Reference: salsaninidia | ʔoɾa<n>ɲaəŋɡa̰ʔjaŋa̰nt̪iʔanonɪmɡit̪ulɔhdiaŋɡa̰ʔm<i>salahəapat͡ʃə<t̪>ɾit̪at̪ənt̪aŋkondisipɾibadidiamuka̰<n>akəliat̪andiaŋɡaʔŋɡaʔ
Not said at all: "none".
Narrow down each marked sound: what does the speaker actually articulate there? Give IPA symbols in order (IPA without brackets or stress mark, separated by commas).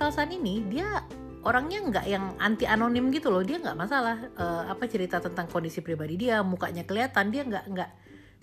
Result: ŋ, a, none, ɲ